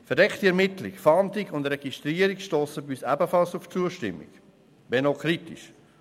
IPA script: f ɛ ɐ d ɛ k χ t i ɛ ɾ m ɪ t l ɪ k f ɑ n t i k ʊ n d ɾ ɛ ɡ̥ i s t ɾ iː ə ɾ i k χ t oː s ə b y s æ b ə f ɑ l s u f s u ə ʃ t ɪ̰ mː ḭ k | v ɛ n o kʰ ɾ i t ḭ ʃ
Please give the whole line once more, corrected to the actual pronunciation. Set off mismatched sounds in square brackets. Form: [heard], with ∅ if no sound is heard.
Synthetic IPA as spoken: f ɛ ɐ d ɛ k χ t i ɛ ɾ m ɪ t l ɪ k f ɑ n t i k ʊ n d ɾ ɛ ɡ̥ i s t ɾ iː ə ɾ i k [ʃ] t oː s ə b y s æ b ə f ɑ l s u f [t͡s] u ə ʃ t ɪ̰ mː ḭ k | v ɛ n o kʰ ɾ i t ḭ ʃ